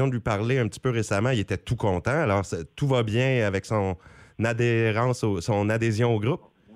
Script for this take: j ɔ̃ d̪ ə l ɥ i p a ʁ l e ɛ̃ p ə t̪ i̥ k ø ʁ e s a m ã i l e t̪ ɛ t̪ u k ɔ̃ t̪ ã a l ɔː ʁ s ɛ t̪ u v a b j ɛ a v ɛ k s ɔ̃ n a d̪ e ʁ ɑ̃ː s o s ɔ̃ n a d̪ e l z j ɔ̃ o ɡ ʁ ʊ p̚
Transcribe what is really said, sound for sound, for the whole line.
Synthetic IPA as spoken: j ɔ̃ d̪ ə l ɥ i p a ʁ l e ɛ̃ p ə t̪ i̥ p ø ʁ e s a m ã i l e t̪ ɛ t̪ u k ɔ̃ t̪ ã a l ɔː ʁ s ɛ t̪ u v a b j ɛ̃ a v ɛ k s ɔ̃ n a d̪ e ʁ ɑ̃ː s o s ɔ̃ n a d̪ e z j ɔ̃ o ɡ ʁ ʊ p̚